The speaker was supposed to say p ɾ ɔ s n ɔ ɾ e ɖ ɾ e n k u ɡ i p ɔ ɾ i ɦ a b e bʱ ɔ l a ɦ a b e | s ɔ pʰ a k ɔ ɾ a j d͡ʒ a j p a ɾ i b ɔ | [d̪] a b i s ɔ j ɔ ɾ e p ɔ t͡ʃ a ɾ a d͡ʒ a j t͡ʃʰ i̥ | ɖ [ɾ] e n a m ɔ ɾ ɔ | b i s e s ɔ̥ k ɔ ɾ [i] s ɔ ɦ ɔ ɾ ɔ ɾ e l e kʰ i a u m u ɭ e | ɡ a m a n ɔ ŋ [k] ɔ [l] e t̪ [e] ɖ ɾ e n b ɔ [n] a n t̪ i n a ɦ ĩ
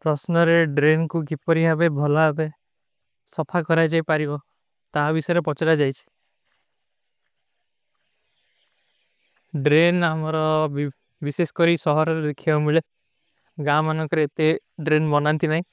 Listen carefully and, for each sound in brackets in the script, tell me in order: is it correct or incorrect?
incorrect: t̪, correct, correct, correct, incorrect: ɾ, correct, correct

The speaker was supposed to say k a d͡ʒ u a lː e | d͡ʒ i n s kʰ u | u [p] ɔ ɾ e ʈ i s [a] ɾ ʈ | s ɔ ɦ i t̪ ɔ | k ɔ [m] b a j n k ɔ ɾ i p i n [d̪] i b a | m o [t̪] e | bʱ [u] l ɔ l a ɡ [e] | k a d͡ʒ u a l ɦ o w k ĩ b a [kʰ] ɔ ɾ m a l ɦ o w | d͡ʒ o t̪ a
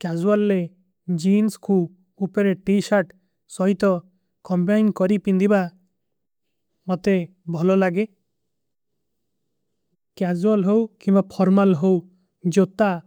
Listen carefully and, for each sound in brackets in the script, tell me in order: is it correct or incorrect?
correct, correct, correct, correct, correct, incorrect: ɔ, correct, incorrect: pʰ

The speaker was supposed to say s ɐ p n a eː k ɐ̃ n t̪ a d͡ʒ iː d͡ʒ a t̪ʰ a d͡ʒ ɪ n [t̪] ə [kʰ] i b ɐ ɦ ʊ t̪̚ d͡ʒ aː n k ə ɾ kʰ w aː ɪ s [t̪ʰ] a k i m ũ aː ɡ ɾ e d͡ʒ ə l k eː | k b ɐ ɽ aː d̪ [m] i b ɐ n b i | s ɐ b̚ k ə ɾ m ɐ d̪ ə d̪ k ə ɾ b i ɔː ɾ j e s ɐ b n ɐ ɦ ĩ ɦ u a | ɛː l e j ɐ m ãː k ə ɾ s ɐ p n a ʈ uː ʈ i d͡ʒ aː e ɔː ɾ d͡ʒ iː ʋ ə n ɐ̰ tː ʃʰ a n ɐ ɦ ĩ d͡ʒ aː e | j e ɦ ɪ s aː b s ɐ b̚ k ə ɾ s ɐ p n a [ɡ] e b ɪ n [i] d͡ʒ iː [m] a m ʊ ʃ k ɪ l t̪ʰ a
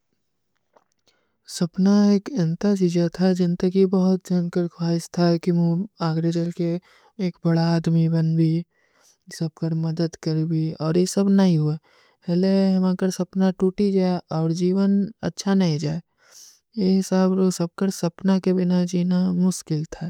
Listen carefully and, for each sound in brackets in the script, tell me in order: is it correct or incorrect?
correct, incorrect: k, correct, correct, incorrect: k, incorrect: a, incorrect: n

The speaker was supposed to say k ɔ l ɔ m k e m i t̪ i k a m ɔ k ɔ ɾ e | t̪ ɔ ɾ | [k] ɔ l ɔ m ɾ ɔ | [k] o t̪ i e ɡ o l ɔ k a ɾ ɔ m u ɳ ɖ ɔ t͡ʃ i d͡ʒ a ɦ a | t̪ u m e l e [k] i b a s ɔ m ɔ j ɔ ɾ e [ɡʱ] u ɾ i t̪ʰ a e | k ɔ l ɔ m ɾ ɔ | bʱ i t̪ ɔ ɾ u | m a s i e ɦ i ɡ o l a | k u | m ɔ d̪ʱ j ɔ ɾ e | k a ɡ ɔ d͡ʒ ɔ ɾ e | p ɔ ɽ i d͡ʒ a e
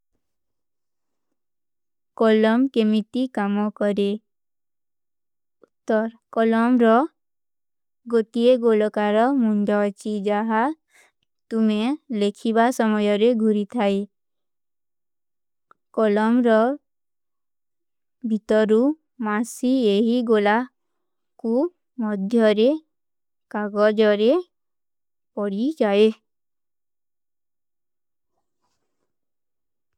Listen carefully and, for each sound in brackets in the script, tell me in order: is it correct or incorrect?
correct, incorrect: ɡ, incorrect: kʰ, correct

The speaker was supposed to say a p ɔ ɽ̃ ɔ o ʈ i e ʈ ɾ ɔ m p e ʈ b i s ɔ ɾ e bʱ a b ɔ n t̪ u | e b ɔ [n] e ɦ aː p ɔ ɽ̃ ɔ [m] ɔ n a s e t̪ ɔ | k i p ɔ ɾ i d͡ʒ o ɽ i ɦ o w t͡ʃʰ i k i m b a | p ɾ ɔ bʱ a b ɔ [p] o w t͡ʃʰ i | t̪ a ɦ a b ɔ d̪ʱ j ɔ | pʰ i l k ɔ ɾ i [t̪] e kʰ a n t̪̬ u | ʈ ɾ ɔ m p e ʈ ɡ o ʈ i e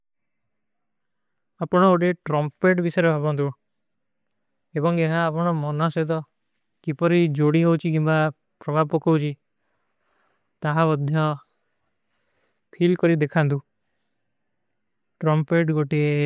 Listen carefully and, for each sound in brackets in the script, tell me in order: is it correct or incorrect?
incorrect: ŋ, correct, incorrect: k, incorrect: d̪

